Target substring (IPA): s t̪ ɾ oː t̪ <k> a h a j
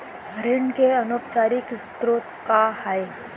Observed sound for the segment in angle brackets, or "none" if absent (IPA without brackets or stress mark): k